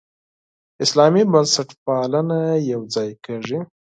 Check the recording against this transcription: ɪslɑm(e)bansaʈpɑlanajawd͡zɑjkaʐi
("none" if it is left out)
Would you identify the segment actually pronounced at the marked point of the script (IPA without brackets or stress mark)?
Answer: i